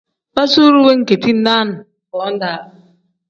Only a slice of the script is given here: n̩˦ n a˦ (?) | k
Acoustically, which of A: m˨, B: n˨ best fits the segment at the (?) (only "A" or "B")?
B